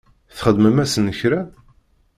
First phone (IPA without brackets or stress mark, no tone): θ